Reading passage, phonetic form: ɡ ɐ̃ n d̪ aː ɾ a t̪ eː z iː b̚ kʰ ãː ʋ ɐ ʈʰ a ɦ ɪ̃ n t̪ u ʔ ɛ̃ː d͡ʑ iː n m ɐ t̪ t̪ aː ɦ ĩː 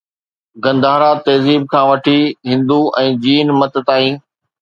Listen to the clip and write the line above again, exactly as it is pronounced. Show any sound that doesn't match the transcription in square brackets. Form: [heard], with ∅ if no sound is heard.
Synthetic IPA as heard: ɡ ɐ̃ n d̪ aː ɾ a t̪ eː z iː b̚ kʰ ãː ʋ ɐ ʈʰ [i] ɦ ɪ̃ n [d̪] u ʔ ɛ̃ː d͡ʑ iː n m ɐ t̪ t̪ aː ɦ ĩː